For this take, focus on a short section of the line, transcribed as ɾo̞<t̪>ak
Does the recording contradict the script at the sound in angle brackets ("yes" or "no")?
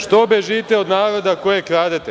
yes